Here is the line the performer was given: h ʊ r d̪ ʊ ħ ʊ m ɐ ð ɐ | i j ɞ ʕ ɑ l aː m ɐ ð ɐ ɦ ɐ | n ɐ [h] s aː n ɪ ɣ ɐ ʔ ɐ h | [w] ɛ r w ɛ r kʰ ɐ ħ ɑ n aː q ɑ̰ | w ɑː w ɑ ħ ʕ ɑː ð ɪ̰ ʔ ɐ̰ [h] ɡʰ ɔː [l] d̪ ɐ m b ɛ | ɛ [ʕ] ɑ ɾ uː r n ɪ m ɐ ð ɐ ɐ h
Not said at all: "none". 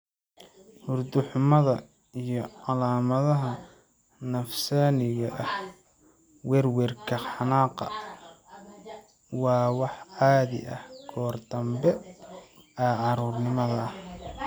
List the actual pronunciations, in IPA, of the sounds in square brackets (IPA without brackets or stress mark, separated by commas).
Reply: f, w, h, r, ʕ